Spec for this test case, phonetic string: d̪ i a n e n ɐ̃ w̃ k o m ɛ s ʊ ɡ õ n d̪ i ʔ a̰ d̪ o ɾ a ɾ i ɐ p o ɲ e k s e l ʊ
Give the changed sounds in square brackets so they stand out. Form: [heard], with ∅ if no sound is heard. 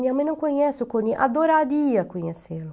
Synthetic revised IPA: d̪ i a [m] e n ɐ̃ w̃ k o [ɲ] ɛ s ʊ [k] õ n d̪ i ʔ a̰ d̪ o ɾ a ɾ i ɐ [k] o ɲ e [∅] s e l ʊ